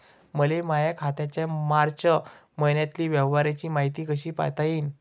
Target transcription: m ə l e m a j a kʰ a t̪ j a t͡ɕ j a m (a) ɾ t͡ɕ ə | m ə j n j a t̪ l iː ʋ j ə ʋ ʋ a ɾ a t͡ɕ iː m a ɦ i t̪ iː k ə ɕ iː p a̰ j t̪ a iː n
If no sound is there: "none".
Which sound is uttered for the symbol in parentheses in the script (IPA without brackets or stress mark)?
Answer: a